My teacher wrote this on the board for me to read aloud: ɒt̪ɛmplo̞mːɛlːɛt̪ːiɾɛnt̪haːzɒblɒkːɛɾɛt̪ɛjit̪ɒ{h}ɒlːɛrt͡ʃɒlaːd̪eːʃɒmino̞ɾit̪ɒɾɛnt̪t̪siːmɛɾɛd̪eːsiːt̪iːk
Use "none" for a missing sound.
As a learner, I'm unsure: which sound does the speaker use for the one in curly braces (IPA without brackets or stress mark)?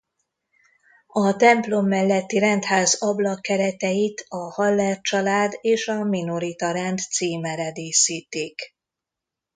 h